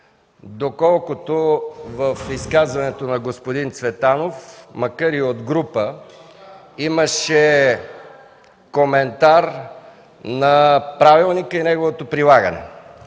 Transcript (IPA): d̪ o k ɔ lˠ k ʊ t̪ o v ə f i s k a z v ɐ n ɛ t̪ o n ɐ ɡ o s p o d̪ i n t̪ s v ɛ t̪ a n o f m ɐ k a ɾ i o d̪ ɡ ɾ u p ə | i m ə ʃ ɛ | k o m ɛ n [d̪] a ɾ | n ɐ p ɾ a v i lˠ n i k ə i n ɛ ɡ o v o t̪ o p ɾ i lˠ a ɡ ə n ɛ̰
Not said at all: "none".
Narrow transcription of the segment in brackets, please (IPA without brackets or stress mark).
t̪